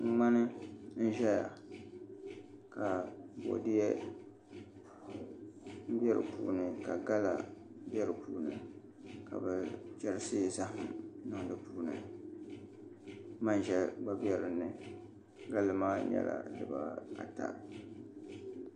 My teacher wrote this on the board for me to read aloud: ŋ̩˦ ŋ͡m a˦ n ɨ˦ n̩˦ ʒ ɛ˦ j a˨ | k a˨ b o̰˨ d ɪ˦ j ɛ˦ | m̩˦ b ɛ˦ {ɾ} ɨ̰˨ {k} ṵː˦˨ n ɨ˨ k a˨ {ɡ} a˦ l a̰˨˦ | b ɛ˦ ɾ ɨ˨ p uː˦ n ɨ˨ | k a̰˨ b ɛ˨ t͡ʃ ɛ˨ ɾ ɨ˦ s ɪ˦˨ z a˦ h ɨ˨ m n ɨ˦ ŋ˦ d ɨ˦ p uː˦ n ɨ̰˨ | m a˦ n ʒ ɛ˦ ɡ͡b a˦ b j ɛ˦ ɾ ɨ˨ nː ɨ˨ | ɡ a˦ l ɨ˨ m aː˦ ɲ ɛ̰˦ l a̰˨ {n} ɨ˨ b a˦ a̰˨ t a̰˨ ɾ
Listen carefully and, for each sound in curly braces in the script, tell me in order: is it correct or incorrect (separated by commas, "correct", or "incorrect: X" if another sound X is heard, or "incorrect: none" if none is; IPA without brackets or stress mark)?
correct, incorrect: p, correct, incorrect: d